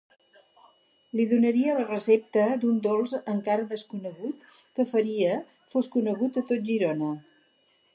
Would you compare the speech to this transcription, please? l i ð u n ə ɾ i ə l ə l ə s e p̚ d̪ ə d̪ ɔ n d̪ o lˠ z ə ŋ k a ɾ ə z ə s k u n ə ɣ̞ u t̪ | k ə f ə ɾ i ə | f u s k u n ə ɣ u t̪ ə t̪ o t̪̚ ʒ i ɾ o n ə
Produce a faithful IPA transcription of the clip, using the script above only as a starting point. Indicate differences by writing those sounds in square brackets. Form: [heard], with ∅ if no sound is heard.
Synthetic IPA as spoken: l i ð u n ə ɾ i ə l ə [r] ə s e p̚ [t̪] ə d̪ [u] n d̪ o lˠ z ə ŋ k a ɾ ə [ð] ə s k u n ə ɣ̞ u t̪ | k ə f ə ɾ i ə | f [o] s k u n ə ɣ u t̪ ə t̪ o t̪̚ ʒ i ɾ o n ə